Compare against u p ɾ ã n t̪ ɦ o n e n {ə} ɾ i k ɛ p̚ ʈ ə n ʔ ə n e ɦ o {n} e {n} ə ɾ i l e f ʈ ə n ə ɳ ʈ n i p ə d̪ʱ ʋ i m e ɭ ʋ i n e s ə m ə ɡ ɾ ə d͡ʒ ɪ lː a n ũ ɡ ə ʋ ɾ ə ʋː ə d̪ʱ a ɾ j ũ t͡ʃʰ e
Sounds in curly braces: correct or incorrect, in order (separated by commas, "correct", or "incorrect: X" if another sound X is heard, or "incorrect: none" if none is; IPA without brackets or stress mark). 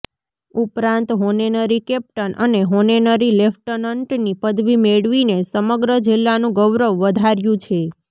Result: correct, correct, correct